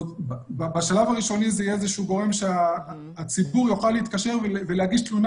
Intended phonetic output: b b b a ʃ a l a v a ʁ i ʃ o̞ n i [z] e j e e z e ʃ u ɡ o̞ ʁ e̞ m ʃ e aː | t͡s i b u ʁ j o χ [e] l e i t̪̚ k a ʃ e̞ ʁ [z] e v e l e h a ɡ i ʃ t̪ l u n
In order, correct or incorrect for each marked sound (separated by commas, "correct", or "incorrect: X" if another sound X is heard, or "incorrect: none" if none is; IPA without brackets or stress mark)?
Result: correct, incorrect: a, incorrect: v